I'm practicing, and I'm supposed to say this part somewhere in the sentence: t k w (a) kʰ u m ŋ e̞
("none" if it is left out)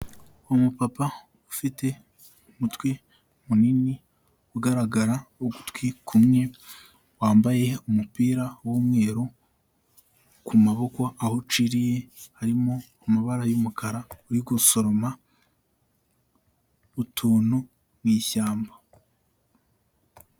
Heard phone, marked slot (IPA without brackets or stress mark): i